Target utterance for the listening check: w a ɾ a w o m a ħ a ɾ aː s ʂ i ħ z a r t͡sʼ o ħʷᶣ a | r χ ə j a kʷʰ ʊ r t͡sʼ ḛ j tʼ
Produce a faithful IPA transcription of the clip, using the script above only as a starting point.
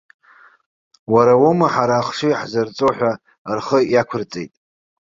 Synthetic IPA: w a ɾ a w o m a ħ a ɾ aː χ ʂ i ħ z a r t͡sʼ o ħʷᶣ a | r χ ə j a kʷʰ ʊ r t͡sʼ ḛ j tʼ